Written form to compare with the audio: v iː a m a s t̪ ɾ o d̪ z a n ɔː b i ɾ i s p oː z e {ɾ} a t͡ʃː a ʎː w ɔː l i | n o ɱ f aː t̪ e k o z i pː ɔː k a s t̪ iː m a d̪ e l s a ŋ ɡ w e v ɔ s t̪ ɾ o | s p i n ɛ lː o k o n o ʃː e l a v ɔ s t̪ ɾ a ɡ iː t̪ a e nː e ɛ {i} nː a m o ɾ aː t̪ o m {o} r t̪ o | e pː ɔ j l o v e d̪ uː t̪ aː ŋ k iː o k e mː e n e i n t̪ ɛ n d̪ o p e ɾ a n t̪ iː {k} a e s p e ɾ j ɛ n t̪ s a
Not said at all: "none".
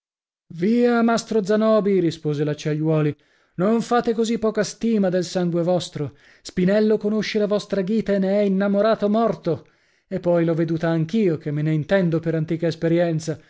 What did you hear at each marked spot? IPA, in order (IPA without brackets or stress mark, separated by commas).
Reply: l, i, ɔ, k